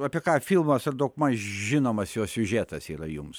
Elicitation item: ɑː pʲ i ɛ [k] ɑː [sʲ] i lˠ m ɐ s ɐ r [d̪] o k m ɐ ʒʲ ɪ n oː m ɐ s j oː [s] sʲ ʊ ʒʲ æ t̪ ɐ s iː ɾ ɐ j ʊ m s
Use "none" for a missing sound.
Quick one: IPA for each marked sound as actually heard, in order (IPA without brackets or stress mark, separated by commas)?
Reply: k, fʲ, d̪, s